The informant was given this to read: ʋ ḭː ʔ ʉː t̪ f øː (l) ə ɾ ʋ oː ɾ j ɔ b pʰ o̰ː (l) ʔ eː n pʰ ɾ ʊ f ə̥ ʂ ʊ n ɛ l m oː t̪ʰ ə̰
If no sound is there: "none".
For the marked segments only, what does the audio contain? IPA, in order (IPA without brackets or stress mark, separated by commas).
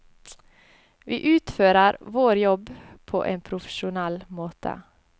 ɾ, none